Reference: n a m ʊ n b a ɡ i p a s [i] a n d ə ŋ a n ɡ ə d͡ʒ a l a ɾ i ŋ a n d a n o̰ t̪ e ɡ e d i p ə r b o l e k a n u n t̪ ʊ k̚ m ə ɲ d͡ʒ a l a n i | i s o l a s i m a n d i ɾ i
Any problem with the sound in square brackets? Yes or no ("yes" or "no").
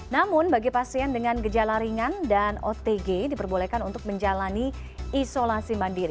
no